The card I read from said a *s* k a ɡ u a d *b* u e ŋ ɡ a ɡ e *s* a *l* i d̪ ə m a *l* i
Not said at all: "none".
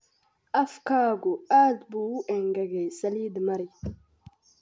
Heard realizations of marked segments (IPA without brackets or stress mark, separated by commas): f, b, s, l, ɾ